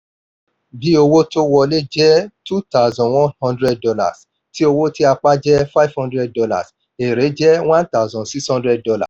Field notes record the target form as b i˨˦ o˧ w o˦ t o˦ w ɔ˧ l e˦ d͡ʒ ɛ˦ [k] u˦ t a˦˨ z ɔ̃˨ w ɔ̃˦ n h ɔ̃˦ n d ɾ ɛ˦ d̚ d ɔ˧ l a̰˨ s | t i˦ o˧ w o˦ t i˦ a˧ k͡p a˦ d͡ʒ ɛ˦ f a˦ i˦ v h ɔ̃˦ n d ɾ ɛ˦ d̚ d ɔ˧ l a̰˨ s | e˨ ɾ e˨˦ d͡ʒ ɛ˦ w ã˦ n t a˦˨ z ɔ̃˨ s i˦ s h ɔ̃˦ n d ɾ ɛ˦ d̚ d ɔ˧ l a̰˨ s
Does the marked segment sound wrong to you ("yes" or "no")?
yes